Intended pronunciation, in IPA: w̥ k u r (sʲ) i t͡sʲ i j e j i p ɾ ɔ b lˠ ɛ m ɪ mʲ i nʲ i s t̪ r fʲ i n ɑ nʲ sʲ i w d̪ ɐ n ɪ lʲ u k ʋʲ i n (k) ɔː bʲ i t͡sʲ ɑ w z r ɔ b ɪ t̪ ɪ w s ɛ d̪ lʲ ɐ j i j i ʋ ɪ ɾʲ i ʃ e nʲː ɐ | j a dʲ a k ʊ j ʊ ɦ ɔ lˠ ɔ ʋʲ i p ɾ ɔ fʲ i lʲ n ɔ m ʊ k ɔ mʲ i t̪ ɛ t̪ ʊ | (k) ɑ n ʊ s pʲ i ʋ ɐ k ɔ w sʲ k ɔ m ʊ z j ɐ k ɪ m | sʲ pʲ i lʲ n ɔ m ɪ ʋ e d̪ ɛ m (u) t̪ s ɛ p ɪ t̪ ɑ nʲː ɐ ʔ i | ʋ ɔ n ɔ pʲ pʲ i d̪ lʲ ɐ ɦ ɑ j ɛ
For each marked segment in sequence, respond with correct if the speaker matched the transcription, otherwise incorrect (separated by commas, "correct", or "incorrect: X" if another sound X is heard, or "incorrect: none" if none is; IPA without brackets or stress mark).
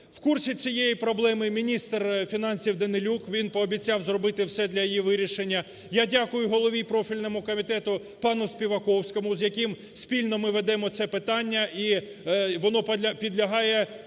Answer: correct, incorrect: p, incorrect: p, incorrect: ɔ